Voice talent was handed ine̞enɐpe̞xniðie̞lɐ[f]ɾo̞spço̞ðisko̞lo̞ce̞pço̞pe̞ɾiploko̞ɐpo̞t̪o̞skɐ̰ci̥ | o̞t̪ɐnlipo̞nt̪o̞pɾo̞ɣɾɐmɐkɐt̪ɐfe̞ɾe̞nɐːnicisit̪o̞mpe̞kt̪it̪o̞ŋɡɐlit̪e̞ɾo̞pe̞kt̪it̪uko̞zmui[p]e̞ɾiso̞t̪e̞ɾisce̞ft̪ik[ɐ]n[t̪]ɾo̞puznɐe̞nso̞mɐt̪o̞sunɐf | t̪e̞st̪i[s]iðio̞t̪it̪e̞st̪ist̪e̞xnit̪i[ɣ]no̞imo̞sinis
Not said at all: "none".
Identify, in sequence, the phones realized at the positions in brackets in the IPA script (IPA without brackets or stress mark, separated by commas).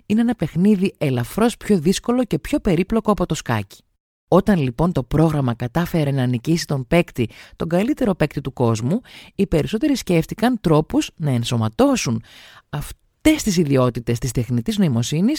f, p, ɐ, t̪, s, z